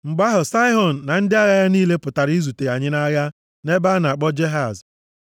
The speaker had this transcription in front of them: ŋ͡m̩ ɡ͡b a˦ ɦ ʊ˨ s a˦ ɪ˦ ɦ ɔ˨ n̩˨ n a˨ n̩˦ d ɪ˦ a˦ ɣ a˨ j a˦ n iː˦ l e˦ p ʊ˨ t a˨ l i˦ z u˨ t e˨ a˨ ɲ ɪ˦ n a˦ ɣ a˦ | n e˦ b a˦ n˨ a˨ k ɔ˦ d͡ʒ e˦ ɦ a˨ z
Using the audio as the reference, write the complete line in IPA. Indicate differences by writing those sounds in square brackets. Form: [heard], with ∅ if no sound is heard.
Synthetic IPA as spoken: ŋ͡m̩ ɡ͡b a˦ ɦ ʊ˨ s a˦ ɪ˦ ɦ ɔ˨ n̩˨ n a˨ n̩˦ d ɪ˦ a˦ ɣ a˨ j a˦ n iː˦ l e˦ p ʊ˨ t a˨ [ɾ] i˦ z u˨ t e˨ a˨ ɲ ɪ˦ n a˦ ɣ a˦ | n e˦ b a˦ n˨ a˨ [k͡p] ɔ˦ d͡ʒ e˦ ɦ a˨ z

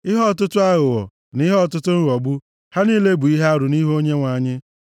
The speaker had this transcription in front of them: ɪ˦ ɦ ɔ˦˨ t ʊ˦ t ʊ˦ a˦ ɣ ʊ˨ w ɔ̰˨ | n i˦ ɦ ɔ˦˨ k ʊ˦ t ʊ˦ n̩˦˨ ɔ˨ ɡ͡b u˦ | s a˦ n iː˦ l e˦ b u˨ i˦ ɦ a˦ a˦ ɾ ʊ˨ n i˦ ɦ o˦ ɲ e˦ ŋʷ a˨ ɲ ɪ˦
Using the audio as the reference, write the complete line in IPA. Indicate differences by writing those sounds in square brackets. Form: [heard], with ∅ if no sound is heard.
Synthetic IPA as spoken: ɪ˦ ɦ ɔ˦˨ t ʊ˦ t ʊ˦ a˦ ɣ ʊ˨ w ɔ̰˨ | n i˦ ɦ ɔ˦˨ [t] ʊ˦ t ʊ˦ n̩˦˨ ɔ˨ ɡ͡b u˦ | [h] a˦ n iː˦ l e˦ b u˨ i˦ ɦ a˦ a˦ ɾ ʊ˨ n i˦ ɦ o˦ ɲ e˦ ŋʷ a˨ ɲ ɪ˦

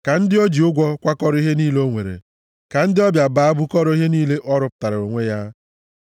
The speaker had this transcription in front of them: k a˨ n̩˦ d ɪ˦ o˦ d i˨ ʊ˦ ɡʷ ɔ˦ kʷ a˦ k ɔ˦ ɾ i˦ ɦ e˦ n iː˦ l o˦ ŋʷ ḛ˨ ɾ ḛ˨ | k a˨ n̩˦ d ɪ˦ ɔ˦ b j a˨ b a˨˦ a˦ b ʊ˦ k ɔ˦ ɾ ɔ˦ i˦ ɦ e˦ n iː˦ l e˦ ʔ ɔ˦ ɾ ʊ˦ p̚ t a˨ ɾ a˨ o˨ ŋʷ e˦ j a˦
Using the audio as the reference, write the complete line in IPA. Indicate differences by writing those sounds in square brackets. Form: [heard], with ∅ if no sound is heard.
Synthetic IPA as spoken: k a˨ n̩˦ d ɪ˦ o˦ [d͡ʒ] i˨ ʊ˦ ɡʷ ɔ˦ kʷ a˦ k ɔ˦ ɾ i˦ ɦ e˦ n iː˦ l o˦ ŋʷ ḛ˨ ɾ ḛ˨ | k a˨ n̩˦ d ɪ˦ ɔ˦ b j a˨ b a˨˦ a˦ b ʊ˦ k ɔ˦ ɾ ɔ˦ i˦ ɦ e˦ n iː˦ l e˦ ʔ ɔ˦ ɾ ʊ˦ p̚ t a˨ ɾ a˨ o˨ ŋʷ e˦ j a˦

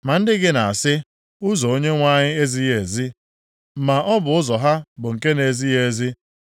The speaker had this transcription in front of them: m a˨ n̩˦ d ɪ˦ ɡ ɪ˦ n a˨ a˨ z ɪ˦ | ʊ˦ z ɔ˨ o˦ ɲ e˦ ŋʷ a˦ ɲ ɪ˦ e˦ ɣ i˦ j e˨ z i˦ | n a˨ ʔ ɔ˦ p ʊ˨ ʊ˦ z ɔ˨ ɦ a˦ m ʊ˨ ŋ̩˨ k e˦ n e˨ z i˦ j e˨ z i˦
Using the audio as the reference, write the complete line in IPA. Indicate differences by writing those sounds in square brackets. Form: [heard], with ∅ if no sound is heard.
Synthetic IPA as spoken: m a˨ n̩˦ d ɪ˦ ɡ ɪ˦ n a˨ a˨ [s] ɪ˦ | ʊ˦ z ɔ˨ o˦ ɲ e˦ ŋʷ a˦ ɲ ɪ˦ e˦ [z] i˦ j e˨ z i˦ | [m] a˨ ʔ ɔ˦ [b] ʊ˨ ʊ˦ z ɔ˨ ɦ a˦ [b] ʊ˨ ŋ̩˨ k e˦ n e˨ z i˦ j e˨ z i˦

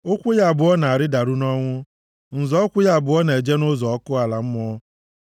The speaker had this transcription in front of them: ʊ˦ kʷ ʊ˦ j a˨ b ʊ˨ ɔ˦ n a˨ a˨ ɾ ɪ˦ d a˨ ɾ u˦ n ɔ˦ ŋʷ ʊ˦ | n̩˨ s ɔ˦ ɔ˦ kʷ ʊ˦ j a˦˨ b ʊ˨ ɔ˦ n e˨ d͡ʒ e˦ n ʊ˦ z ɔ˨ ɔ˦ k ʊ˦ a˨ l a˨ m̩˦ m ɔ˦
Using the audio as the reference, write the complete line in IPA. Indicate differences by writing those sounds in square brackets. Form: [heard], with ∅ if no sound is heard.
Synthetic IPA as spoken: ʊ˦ kʷ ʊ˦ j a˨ b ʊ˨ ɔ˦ n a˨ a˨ ɾ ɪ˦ d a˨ ɾ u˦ n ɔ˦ ŋʷ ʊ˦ | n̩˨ [z] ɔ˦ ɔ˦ kʷ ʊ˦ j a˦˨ b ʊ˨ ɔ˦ n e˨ d͡ʒ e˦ n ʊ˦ z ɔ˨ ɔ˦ k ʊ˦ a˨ l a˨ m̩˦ m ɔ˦

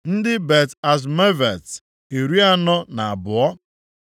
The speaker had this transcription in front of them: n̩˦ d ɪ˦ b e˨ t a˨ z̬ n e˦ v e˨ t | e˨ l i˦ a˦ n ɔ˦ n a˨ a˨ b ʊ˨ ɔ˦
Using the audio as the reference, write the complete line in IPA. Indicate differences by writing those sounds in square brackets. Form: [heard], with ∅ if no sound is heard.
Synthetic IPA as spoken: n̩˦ d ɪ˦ b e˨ t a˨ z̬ [m] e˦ v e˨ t | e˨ [ɾ] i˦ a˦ n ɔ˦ n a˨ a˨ b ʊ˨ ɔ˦

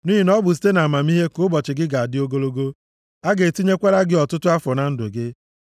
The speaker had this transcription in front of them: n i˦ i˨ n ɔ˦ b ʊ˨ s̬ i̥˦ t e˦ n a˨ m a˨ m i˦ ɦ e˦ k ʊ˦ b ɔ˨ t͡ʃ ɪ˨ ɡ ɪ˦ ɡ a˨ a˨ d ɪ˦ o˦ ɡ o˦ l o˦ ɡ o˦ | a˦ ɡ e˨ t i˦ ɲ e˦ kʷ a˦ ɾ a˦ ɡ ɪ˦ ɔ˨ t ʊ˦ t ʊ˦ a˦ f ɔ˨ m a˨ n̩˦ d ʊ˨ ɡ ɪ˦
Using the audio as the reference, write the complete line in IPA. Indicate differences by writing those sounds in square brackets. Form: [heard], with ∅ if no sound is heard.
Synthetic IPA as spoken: n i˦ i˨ n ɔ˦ b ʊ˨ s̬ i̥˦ t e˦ n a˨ m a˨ m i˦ ɦ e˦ k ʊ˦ b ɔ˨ t͡ʃ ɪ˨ ɡ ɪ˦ ɡ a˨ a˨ d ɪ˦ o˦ ɡ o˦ l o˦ ɡ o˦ | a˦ ɡ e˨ t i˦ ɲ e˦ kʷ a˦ ɾ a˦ ɡ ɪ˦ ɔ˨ t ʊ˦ t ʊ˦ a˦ f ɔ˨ [n] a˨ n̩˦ d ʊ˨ ɡ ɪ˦

